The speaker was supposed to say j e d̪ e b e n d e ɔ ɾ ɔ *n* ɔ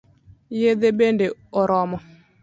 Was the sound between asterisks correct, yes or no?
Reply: no